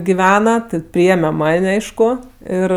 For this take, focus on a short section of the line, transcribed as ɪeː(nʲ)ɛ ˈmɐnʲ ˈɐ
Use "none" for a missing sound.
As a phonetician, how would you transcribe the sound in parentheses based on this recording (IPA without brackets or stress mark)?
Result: mʲ